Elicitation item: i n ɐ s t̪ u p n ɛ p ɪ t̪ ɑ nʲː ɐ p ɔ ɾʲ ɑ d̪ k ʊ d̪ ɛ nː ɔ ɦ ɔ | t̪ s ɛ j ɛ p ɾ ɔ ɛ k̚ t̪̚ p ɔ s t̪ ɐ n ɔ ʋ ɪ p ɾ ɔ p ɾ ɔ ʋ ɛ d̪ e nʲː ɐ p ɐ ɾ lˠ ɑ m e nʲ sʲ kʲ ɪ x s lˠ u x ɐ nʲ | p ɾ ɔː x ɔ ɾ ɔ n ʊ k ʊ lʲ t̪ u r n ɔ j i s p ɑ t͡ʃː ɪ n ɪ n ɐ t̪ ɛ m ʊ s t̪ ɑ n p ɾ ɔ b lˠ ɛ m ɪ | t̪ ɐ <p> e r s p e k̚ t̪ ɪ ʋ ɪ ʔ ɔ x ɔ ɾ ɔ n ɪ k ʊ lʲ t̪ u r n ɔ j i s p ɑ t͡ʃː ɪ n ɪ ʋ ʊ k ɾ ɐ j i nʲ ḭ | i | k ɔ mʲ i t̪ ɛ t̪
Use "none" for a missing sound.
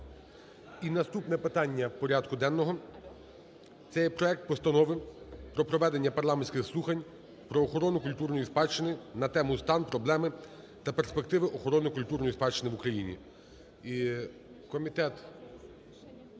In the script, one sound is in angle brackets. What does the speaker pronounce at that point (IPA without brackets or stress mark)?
p